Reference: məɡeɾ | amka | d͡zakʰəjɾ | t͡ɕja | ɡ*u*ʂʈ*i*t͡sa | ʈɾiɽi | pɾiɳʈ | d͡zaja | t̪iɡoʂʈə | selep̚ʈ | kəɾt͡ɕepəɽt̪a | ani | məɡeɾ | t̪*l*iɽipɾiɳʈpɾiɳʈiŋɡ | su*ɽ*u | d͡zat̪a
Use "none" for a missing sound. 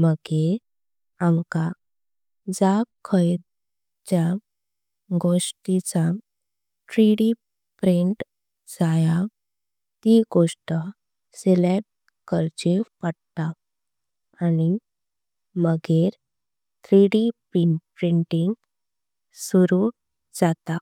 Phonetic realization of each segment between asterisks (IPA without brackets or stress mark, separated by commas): o, i, ɾ, ɾ